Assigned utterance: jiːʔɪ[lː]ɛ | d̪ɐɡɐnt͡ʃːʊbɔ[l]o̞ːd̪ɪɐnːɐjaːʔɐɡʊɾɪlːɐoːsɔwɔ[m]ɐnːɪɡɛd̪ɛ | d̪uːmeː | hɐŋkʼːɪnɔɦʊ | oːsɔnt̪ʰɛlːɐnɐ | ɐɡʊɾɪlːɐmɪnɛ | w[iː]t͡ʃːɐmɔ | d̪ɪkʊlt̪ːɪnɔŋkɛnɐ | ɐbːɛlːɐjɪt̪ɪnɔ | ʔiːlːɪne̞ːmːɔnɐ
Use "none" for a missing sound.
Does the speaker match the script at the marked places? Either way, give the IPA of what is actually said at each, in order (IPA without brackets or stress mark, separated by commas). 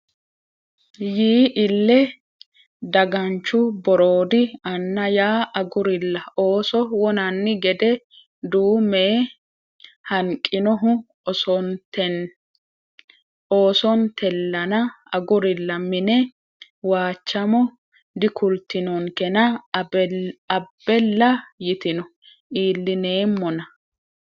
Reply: lː, ɾ, n, aː